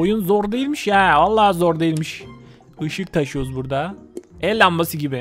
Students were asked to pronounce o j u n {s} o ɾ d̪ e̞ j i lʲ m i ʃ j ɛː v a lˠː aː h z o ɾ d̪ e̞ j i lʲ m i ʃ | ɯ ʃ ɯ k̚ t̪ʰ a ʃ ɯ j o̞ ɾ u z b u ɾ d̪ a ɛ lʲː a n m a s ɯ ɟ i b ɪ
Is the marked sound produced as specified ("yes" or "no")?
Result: no